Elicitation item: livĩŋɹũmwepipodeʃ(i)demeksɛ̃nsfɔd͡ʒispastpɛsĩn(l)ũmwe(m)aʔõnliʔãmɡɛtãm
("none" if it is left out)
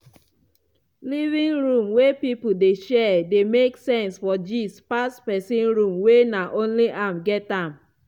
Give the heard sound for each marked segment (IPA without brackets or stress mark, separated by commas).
ɛ, ɹ, n